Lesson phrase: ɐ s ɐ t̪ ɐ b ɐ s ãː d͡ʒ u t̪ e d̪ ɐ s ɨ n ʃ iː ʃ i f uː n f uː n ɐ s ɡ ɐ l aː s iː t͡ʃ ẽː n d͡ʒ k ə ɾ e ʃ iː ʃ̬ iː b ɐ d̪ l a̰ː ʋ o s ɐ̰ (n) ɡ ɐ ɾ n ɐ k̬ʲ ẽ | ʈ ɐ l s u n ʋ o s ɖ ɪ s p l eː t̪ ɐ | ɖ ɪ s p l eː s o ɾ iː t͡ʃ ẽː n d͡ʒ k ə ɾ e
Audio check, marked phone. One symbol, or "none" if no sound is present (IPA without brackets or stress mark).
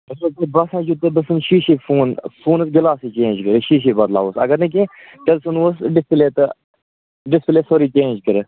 none